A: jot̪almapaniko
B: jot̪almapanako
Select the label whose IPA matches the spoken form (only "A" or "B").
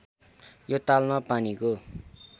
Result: A